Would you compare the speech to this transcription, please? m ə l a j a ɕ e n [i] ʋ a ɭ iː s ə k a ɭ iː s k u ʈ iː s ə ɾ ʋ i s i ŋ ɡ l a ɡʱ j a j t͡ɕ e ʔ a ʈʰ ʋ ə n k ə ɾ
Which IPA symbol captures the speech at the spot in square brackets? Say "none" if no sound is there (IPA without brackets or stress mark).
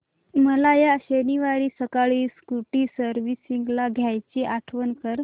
i